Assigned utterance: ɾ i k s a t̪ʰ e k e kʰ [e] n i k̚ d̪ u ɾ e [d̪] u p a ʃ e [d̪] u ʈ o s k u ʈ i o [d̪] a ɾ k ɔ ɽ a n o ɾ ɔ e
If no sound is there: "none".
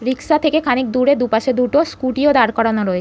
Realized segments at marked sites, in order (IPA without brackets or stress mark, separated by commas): a, d̪, d̪, d̪